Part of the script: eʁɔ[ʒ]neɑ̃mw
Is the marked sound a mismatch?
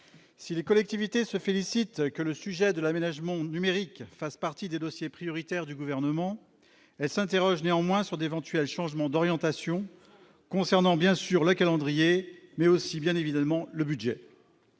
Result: no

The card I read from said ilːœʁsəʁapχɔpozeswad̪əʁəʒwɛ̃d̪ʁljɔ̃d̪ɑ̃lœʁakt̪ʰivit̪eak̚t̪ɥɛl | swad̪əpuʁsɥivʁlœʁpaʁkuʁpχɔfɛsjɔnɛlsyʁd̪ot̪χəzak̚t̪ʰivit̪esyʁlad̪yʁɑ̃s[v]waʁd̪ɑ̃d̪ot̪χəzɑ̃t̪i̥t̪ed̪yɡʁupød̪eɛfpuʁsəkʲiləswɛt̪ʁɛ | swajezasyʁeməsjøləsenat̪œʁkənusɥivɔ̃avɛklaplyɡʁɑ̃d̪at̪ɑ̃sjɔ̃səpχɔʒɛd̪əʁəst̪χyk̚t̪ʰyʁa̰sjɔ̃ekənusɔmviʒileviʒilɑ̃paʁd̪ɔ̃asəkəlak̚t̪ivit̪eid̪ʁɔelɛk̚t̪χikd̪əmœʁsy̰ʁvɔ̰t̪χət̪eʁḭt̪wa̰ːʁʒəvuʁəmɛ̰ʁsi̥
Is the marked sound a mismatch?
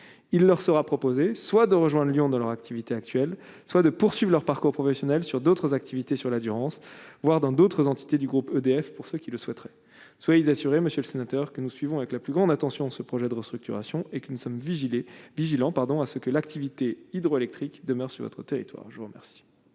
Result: no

